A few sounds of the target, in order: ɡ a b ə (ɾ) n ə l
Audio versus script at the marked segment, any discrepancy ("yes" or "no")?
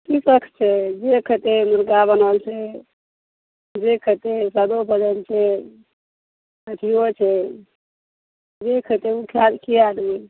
yes